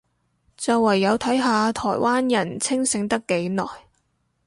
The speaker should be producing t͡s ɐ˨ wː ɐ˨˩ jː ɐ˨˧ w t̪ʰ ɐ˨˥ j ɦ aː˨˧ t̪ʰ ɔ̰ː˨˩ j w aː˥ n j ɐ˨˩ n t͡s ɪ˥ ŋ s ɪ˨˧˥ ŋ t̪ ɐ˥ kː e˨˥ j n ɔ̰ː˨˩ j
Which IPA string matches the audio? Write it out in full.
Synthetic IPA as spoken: t͡s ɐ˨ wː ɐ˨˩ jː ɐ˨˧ w t̪ʰ ɐ˨˥ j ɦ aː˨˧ t̪ʰ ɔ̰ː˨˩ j w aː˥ n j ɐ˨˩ n t͡sʰ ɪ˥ ŋ s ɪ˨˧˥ ŋ t̪ ɐ˥ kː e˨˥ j n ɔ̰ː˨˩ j